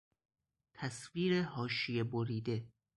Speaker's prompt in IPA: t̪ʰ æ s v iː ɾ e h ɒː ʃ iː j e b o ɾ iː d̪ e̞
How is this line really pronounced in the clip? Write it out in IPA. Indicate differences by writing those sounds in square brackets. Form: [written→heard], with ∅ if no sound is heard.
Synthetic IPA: t̪ʰ æ s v iː ɾ e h ɒː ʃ [iː→i] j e b o ɾ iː d̪ e̞